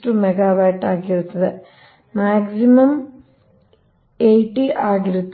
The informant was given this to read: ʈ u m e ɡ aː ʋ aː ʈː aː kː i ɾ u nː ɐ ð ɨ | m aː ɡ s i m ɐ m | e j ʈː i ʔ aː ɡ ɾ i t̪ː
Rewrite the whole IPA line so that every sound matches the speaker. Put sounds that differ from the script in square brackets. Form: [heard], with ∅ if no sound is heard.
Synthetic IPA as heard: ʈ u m e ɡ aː ʋ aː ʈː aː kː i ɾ u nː ɐ ð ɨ | m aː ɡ s i m ɐ m | e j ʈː i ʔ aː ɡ ɾ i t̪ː